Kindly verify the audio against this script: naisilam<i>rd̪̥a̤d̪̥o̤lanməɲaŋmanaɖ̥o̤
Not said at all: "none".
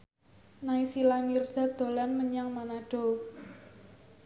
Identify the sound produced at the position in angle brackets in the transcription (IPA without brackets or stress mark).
i